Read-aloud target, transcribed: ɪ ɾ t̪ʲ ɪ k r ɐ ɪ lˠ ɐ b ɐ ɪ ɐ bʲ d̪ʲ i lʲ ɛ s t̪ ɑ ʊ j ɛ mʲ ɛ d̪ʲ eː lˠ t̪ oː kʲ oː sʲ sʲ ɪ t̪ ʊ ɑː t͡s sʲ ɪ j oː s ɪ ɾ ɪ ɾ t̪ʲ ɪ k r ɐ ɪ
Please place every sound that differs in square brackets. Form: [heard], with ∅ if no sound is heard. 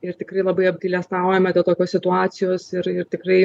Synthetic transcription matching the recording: ɪ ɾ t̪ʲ ɪ k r ɐ ɪ lˠ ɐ b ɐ ɪ ɐ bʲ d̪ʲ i lʲ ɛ s t̪ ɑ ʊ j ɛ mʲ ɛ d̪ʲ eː lˠ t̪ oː kʲ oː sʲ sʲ ɪ t̪ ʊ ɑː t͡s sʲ ɪ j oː s ɪ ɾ ɪ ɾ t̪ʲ ɪ k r ɐ ɪ